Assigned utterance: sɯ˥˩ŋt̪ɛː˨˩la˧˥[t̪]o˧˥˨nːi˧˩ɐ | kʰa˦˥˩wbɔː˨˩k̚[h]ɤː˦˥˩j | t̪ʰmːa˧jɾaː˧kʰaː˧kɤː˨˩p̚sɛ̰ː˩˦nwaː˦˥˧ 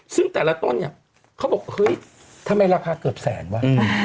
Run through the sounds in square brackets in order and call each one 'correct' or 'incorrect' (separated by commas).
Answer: correct, correct